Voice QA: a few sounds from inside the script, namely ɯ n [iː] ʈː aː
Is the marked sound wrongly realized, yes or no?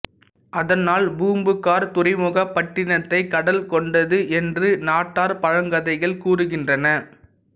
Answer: yes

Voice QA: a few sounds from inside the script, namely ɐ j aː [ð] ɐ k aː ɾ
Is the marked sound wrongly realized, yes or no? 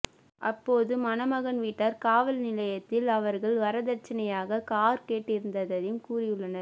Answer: yes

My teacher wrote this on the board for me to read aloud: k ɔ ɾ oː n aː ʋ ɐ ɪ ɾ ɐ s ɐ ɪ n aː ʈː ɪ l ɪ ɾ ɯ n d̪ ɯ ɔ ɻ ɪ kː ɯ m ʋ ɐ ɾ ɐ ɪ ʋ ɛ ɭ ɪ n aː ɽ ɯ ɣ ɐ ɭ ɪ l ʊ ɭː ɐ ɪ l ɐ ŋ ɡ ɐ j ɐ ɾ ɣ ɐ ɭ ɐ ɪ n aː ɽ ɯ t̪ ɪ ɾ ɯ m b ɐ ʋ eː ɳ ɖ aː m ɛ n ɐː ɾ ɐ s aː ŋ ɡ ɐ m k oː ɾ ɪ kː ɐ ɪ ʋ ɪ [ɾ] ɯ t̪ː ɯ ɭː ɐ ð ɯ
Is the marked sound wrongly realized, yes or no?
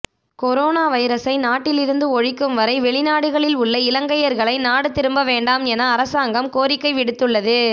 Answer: yes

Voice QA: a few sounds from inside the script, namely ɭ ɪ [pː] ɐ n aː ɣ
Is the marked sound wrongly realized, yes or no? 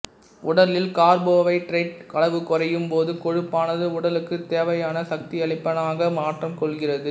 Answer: no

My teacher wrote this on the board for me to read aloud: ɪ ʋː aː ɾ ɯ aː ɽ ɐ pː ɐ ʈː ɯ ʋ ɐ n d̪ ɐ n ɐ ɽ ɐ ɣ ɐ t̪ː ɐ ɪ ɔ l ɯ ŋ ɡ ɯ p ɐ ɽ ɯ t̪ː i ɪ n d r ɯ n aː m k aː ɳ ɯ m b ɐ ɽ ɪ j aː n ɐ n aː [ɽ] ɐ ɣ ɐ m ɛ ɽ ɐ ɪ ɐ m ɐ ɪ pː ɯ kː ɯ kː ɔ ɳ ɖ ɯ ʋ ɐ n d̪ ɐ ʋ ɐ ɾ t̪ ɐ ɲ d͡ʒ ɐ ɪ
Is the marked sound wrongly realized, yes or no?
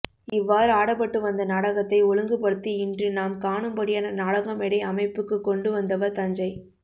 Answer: no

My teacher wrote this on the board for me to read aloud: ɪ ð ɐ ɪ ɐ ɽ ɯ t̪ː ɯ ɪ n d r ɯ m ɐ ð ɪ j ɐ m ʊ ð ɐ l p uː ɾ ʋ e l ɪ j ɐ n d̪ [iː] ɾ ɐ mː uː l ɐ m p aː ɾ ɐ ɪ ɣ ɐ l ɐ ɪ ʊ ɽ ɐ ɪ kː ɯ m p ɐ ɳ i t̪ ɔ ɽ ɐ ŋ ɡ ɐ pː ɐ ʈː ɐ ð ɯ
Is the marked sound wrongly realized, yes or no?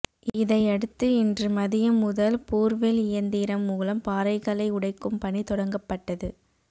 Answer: no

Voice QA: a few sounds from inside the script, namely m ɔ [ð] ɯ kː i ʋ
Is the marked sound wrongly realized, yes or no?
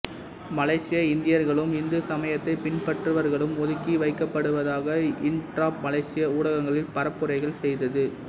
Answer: no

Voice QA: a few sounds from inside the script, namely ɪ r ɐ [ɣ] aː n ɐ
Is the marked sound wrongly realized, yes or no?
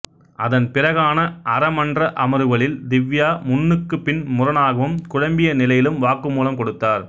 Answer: no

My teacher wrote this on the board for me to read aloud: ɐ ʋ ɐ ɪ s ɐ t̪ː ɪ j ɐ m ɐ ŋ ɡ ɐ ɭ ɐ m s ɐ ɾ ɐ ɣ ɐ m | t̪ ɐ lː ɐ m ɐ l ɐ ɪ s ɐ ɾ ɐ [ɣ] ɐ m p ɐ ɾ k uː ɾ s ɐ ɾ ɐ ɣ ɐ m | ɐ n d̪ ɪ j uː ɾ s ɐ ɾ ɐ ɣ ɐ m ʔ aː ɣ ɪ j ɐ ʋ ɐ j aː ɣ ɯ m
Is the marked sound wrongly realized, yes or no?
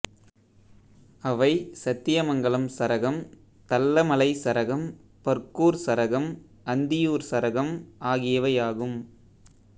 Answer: no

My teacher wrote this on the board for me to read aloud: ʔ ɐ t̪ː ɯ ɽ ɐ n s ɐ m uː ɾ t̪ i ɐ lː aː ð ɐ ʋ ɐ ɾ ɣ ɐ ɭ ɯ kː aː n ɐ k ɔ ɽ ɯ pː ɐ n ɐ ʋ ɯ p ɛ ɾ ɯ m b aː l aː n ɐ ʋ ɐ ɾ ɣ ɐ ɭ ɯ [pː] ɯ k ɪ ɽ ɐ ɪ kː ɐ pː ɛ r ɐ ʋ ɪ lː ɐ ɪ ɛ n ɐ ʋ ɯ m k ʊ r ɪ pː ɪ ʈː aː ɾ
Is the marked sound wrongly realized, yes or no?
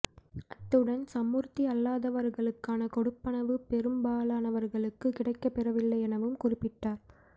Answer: yes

